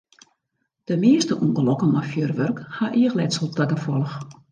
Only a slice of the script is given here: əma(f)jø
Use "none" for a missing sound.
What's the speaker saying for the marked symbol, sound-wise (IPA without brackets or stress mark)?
f